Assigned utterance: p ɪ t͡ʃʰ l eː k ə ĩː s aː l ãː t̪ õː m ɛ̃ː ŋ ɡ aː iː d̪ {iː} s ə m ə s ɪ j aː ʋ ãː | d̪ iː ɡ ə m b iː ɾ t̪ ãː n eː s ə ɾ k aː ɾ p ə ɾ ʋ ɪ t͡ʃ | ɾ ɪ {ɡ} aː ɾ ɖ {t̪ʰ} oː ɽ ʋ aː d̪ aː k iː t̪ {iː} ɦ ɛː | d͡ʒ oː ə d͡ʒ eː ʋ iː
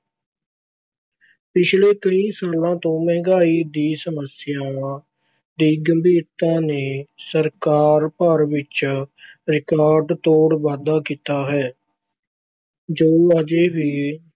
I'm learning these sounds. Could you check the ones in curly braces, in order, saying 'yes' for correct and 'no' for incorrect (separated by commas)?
yes, no, no, no